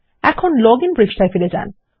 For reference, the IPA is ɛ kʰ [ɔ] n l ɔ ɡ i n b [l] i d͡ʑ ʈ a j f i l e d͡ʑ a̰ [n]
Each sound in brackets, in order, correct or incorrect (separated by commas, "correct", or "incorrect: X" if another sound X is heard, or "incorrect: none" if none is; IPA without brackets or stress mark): incorrect: o, incorrect: ɾ, correct